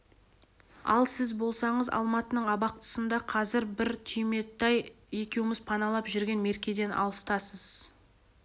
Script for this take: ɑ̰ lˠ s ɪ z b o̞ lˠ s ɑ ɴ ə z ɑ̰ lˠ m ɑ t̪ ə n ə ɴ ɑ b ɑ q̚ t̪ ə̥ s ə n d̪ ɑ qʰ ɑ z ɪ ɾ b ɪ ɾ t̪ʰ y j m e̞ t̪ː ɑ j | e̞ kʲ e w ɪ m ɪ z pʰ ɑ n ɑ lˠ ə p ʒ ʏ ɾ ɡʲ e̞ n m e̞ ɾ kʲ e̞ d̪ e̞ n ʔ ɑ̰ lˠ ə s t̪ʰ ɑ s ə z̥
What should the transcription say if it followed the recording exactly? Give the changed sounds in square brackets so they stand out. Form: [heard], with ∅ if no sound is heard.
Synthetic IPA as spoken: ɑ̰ lˠ s ɪ z b o̞ lˠ s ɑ ɴ ə z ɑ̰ lˠ m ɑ t̪ ə n ə ɴ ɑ b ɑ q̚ t̪ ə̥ s ə n d̪ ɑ qʰ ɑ z ɪ ɾ b ɪ ɾ t̪ʰ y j m e̞ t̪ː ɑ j | e̞ kʲ e w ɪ m ɪ z pʰ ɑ n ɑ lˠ [ɑ] p ʒ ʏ ɾ ɡʲ e̞ n m e̞ ɾ kʲ e̞ d̪ e̞ n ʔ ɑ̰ lˠ ə s [t̪] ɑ s ə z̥